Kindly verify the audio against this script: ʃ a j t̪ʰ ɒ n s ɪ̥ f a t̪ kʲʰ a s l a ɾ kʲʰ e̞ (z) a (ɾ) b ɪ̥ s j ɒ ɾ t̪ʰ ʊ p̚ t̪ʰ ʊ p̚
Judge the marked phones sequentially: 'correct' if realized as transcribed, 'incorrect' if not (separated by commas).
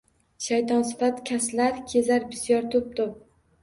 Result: correct, correct